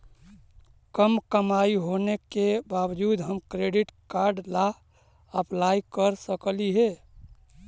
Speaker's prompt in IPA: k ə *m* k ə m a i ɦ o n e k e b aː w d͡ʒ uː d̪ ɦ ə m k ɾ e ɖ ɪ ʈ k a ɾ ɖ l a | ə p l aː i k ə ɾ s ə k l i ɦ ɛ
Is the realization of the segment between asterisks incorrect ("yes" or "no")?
no